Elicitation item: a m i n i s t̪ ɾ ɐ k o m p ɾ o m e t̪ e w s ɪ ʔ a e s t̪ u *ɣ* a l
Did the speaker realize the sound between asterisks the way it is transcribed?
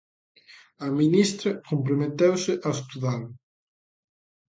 no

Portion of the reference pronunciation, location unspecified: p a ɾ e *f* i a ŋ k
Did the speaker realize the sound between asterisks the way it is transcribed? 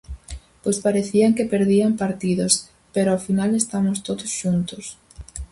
no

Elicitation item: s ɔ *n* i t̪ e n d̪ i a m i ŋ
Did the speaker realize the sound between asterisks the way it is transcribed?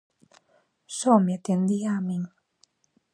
no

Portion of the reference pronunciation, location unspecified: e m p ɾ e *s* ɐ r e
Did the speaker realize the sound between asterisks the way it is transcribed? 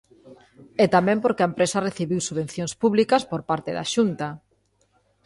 yes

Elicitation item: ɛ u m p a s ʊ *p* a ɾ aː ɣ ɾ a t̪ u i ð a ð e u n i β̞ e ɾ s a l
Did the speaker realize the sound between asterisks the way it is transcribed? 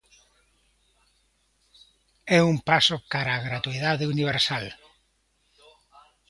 no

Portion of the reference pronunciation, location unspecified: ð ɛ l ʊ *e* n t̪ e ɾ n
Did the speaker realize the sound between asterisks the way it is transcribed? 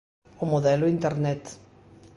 no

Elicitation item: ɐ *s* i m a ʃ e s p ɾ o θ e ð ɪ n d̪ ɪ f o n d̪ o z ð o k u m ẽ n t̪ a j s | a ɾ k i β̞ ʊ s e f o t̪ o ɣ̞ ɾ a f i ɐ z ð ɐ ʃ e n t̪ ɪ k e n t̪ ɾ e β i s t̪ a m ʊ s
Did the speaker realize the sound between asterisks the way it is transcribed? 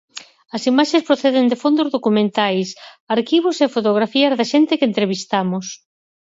yes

